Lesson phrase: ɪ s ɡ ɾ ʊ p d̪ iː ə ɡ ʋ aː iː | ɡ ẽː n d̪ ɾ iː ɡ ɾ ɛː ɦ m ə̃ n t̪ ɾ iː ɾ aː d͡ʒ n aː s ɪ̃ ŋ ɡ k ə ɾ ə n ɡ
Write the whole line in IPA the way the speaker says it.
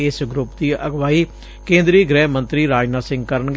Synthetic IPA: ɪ s ɡ ɾ ʊ p d̪ iː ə ɡ ʋ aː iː | k ẽː n d̪ ɾ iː ɡ ɾ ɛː ɦ m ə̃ n t̪ ɾ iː ɾ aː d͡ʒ n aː s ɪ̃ ŋ ɡ k ə ɾ ə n ɡ